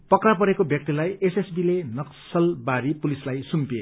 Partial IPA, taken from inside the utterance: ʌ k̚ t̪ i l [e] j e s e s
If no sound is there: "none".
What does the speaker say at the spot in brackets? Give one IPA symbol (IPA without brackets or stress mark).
a